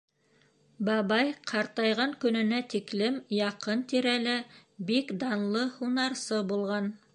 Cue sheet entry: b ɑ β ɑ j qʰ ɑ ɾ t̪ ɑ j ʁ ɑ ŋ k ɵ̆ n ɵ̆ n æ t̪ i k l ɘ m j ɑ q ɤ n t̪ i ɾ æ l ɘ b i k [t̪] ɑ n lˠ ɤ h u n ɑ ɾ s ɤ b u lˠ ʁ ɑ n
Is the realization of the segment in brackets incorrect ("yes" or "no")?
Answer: yes